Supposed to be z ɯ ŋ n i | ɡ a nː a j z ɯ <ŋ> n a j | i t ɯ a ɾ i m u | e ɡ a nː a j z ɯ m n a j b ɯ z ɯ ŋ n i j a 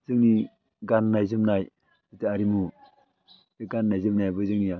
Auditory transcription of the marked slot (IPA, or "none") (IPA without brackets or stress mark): m